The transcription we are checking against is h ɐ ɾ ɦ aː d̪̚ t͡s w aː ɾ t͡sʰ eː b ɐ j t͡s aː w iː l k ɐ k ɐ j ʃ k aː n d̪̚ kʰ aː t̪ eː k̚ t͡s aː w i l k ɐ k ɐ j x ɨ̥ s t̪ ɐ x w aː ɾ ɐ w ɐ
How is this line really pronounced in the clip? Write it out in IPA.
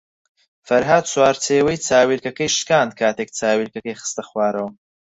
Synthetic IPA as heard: f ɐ ɾ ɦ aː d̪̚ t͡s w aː ɾ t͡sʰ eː w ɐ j t͡s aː w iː l k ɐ k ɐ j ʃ k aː n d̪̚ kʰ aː t̪ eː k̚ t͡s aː w i l k ɐ k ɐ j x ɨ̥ s t̪ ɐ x w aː ɾ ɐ w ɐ